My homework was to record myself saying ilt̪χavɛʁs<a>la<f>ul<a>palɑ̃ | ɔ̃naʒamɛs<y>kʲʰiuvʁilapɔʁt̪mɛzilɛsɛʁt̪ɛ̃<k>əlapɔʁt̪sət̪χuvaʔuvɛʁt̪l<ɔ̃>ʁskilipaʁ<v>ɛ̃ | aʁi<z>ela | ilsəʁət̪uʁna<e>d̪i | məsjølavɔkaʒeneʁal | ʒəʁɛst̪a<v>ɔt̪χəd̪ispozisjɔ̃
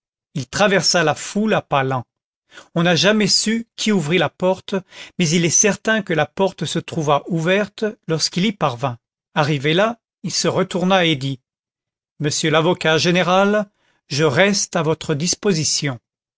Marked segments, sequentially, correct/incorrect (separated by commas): correct, correct, correct, correct, correct, incorrect, correct, incorrect, correct, correct